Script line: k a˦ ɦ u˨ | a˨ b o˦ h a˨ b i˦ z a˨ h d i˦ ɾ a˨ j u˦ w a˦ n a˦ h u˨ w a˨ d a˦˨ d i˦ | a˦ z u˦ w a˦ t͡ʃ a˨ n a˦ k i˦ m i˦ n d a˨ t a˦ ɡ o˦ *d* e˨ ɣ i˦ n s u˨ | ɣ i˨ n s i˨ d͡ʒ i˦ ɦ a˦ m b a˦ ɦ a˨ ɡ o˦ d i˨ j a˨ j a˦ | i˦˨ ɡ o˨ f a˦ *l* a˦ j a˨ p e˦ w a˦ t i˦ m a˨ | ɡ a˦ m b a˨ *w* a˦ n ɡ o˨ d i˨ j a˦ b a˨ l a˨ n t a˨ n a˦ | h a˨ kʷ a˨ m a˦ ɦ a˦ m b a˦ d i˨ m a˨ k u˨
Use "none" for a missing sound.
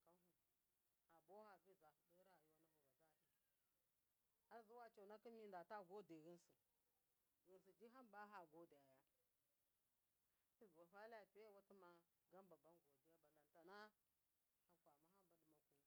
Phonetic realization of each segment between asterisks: d, l, b

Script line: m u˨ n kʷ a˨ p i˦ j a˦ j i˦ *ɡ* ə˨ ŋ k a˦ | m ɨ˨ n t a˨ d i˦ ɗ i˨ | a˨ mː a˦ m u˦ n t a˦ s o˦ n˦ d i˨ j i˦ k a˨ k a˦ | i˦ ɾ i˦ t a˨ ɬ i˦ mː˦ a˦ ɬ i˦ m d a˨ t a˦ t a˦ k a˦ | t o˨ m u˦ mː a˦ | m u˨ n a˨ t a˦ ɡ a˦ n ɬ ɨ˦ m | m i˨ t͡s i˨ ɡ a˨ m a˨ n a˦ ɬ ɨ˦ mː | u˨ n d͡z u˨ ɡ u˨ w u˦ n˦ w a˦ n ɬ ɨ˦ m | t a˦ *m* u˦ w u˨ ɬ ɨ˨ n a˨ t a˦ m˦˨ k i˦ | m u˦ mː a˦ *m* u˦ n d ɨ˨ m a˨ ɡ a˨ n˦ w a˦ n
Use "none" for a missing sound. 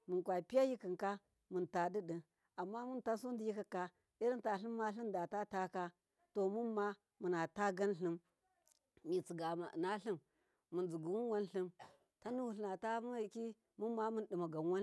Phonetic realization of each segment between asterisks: k, n, m

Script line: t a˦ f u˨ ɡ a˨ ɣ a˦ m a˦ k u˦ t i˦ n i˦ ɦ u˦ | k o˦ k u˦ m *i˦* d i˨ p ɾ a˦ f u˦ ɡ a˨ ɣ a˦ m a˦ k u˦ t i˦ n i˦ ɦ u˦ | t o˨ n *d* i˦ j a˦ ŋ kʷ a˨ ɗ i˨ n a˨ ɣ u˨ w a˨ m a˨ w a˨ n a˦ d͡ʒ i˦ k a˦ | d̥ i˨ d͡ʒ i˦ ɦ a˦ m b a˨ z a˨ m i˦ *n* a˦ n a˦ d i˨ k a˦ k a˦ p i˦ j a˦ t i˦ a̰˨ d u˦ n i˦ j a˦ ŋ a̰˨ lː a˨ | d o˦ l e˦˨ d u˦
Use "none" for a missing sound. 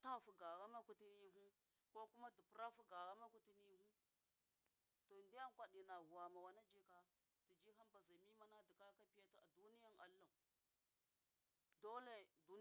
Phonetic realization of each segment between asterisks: a˦, d, m

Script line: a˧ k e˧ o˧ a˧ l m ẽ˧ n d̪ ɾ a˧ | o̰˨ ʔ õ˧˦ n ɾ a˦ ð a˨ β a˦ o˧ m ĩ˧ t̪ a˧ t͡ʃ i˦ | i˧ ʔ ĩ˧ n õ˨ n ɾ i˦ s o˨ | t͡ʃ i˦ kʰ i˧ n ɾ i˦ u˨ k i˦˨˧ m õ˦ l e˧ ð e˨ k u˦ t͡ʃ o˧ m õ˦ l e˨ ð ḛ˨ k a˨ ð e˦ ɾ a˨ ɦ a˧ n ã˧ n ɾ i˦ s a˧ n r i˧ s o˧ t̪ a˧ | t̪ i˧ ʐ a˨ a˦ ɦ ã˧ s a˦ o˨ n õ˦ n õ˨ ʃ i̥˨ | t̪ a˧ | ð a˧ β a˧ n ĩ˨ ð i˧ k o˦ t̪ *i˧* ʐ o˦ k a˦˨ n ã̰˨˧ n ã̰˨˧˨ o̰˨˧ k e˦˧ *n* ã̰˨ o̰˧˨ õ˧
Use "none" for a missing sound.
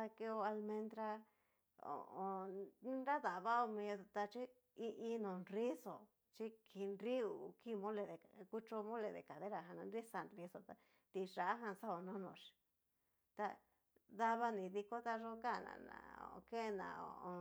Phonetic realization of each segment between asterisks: a˧, n

